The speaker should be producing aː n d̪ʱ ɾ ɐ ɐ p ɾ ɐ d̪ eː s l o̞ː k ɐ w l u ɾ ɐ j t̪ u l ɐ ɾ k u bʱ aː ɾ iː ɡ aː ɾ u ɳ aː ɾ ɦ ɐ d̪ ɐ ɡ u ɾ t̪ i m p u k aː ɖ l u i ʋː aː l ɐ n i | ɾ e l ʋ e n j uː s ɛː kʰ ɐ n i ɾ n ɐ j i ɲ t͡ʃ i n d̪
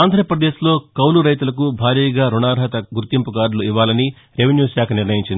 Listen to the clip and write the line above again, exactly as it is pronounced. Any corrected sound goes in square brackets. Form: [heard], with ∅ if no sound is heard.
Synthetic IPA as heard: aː n d̪ʱ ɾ ɐ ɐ p ɾ ɐ d̪ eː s l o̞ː k ɐ w l u ɾ ɐ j t̪ u l ɐ [∅] k u bʱ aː ɾ iː ɡ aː ɾ u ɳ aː ɾ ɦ ɐ [t̪] ɐ ɡ u ɾ t̪ i m p u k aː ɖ l u i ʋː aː l ɐ n i | ɾ e [∅] ʋ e n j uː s [aː] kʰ ɐ n i ɾ n ɐ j i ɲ t͡ʃ i n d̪